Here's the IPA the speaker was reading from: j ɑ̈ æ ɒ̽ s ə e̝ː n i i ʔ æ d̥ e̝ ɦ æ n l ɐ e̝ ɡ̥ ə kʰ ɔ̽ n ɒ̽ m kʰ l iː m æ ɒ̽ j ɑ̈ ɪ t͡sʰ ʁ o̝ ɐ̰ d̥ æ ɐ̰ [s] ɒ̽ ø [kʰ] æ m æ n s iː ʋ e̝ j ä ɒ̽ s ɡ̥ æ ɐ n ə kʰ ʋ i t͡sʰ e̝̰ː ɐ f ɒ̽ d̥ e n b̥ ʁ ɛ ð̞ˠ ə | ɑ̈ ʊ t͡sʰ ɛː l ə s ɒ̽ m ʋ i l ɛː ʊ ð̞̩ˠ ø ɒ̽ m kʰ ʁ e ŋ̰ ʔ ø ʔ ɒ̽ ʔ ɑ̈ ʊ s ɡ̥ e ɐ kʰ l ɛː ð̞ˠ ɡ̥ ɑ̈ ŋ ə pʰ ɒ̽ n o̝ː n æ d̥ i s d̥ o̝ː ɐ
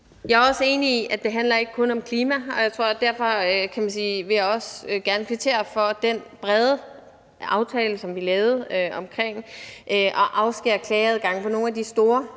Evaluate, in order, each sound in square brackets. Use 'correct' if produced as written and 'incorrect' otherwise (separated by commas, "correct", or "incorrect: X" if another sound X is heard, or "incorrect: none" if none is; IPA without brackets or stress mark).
incorrect: f, correct